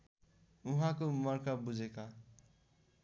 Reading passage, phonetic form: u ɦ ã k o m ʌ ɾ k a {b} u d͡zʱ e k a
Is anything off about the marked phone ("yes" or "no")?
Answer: no